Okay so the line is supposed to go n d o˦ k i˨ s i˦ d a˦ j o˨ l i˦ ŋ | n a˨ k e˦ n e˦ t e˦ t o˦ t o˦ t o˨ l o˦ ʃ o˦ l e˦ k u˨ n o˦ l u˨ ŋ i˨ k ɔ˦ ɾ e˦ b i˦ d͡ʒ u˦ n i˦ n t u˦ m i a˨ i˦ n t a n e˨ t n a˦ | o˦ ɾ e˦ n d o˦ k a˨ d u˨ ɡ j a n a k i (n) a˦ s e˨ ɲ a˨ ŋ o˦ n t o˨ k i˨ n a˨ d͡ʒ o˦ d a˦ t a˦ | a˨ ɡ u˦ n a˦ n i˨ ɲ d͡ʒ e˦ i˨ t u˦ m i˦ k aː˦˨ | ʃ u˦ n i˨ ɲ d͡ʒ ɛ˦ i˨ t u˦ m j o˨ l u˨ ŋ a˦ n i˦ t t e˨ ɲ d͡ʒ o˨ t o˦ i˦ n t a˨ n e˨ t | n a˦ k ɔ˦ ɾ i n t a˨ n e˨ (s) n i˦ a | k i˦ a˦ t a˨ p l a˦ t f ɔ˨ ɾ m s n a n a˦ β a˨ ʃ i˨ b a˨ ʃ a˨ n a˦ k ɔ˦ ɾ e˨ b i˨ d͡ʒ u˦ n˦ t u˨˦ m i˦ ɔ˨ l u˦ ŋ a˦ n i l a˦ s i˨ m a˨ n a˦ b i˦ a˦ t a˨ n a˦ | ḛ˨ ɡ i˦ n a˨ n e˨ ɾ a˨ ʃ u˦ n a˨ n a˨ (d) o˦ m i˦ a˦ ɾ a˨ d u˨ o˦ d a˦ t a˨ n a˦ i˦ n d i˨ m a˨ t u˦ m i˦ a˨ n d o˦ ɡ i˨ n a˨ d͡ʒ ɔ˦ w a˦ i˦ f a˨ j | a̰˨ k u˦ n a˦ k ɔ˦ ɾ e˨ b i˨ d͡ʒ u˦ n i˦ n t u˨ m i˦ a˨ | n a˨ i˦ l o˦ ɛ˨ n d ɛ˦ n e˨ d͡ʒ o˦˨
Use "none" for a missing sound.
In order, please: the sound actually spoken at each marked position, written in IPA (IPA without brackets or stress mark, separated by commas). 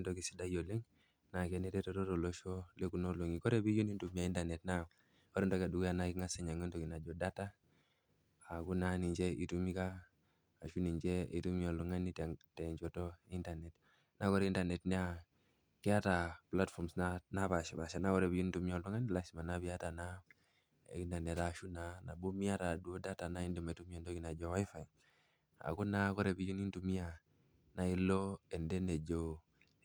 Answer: ŋ, t, b